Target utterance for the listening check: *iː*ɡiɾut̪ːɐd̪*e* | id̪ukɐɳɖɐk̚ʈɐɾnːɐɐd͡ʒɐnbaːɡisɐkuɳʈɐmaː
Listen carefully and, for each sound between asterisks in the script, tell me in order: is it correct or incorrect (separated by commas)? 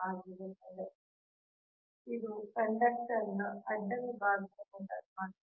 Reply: incorrect, correct